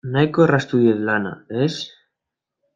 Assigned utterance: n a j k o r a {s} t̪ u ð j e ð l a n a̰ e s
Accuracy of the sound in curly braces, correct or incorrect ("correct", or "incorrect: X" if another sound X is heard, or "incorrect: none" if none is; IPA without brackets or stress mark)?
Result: correct